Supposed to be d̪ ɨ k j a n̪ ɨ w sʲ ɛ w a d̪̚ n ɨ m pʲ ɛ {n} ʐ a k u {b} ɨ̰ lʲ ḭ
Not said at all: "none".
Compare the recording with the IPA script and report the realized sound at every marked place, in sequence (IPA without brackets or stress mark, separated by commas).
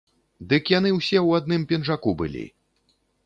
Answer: n, b